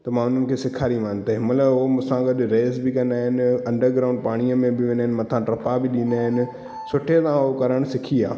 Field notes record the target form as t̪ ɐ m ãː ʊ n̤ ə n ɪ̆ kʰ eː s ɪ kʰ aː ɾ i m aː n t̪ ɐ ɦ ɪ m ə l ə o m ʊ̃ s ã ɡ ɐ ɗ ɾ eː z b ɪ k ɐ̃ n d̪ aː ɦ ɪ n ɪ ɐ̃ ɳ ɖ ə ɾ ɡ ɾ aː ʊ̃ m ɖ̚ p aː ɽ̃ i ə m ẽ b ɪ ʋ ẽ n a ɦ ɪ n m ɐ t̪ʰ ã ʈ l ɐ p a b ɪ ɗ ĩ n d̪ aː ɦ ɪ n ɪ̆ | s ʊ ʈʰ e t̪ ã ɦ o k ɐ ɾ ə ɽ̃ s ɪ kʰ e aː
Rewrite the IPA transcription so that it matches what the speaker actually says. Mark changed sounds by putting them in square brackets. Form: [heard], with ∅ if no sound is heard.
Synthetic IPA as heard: t̪ ɐ m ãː ʊ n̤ ə n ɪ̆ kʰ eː s ɪ kʰ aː ɾ i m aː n t̪ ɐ ɦ ɪ m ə l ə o m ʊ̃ s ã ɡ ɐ ɗ ɾ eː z b ɪ k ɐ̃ n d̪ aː ɦ ɪ n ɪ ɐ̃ ɳ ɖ ə ɾ ɡ ɾ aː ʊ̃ [ɳ] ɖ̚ p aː ɽ̃ i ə m ẽ b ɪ ʋ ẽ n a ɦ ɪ n m ɐ t̪ʰ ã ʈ [ɾ] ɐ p a b ɪ ɗ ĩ n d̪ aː ɦ ɪ n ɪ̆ | s ʊ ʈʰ e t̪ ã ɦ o k ɐ ɾ ə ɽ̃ s ɪ kʰ [i] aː